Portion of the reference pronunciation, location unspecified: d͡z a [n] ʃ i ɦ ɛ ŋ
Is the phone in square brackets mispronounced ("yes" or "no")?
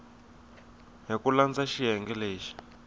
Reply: yes